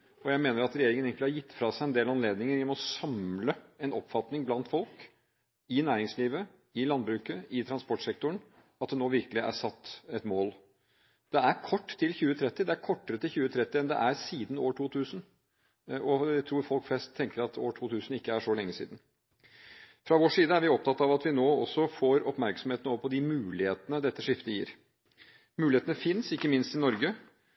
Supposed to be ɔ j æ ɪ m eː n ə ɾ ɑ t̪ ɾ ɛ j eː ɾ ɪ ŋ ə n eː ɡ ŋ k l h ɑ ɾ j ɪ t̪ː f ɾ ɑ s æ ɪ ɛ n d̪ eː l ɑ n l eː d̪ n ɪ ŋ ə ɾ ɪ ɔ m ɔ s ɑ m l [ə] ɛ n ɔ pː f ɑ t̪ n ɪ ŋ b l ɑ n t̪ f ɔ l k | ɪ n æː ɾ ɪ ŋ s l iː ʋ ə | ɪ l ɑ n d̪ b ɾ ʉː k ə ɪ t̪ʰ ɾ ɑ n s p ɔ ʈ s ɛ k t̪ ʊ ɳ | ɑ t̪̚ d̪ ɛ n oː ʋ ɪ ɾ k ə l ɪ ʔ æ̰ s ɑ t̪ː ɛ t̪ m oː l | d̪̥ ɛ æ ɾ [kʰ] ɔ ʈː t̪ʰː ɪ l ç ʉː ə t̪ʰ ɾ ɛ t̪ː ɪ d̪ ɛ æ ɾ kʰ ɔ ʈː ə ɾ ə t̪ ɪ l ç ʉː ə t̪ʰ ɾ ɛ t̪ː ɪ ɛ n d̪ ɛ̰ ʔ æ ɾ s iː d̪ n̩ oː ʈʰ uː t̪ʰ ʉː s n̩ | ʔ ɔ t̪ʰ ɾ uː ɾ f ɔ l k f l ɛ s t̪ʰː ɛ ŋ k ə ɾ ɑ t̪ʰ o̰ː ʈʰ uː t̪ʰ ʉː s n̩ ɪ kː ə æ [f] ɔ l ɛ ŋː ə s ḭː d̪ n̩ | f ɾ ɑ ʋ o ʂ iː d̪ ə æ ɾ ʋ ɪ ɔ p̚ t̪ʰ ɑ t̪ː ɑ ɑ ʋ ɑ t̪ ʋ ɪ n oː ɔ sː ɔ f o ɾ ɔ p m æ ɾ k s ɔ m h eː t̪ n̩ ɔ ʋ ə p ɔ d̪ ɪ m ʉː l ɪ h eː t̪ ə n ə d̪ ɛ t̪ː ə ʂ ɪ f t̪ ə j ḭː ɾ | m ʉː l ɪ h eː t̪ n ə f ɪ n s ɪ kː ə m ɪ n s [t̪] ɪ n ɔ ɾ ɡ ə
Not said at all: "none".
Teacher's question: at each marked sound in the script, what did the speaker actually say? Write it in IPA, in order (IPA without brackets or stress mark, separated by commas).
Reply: ə, kʰ, ʂ, t̪